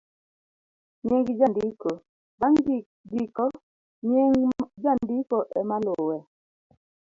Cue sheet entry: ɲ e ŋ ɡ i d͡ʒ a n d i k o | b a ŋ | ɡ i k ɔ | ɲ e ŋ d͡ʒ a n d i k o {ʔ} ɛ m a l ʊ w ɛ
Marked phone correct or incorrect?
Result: correct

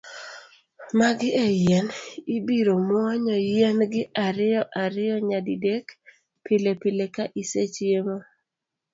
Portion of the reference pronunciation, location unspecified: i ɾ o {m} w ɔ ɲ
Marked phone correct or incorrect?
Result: correct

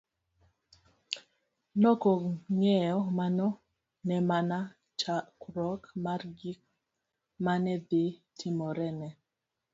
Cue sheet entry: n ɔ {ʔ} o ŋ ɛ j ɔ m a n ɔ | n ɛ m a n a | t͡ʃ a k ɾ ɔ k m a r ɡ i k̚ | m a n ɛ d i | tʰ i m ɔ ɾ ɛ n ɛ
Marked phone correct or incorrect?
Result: incorrect: k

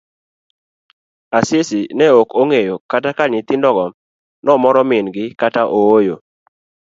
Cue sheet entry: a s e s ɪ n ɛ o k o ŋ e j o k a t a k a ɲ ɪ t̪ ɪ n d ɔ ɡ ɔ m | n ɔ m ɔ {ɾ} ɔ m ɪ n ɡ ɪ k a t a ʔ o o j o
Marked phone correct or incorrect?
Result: correct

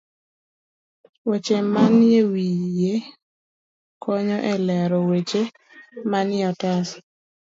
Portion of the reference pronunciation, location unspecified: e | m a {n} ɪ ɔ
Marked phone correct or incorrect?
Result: correct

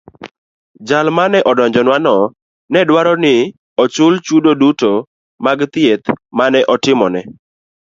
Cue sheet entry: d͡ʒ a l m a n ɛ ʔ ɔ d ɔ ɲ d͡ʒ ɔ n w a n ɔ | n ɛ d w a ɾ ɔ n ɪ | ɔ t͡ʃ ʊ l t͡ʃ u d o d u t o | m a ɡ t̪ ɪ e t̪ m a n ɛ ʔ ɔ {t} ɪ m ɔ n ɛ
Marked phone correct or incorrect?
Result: correct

